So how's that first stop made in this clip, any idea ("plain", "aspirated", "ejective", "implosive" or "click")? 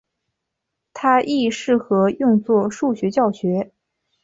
aspirated